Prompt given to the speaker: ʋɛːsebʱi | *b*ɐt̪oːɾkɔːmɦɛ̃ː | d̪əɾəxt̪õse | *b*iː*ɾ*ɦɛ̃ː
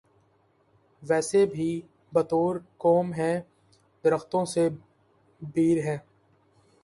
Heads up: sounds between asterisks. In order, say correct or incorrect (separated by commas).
correct, correct, correct